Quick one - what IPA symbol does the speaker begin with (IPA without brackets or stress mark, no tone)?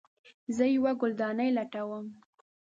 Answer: z